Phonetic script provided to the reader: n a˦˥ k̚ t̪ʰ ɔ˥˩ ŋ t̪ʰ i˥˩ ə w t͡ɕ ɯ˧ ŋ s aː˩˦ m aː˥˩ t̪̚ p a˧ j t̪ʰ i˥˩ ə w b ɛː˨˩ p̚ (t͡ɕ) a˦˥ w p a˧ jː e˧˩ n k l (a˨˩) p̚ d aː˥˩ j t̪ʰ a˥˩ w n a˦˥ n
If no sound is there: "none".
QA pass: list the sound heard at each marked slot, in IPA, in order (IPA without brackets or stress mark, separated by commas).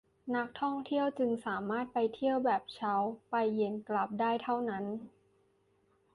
t͡ɕʰ, a˨˩